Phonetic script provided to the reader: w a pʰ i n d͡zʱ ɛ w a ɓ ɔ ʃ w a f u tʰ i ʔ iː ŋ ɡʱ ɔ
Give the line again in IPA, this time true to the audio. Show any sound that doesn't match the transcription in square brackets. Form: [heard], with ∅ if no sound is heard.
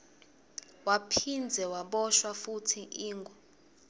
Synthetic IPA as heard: w a pʰ i n d͡zʱ ɛ w a ɓ ɔ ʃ w a f u tʰ i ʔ iː ŋ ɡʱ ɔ